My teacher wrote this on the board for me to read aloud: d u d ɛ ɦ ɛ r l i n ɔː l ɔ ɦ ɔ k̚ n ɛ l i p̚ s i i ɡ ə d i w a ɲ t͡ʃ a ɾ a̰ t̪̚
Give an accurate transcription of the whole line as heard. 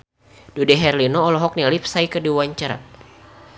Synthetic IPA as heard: d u d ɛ ɦ ɛ r l i n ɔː l ɔ ɦ ɔ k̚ n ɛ l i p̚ s a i k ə d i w a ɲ t͡ʃ a ɾ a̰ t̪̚

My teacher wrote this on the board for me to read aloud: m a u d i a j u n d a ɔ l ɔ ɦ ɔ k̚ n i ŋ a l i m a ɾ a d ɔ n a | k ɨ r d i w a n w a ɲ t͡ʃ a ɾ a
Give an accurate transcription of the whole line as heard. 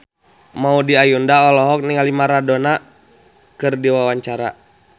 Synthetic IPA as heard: m a u d i a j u n d a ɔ l ɔ ɦ ɔ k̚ n i ŋ a l i m a ɾ a d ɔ n a | k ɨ r d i w a w a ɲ t͡ʃ a ɾ a

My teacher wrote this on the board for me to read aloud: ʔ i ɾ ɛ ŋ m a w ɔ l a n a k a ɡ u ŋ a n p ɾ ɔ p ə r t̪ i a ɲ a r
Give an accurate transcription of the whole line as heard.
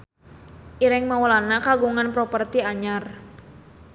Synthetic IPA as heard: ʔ i ɾ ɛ ŋ m a w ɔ l a n a k a ɡ u ŋ a n p ɾ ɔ p ə r t̪ i a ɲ a r

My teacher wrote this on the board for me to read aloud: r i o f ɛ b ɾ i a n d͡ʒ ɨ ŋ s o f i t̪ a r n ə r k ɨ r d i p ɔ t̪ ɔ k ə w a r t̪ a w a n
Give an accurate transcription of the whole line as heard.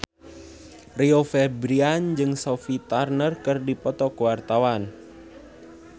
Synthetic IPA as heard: r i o f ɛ b ɾ i a n d͡ʒ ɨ ŋ s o f i t̪ a r n ə r k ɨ r d i p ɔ t̪ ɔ k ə w a r t̪ a w a n

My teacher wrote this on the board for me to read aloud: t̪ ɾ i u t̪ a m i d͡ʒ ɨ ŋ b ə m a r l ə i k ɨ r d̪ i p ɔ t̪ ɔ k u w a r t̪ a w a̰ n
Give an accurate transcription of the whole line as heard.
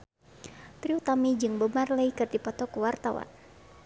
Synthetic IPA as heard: t̪ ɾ i u t̪ a m i d͡ʒ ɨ ŋ b ə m a r l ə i k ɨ r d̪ i p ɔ t̪ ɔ k u w a r t̪ a w a̰ n

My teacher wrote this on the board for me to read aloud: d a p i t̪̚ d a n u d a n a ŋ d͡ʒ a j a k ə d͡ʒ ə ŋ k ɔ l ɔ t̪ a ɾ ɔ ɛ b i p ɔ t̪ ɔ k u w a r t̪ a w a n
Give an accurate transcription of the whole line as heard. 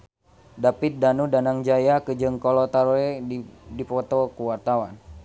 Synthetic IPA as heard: d a p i t̪̚ d a n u d a n a ŋ d͡ʒ a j a k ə d͡ʒ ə ŋ k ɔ l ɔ t̪ a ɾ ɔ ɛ d i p ɔ t̪ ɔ k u w a r t̪ a w a n

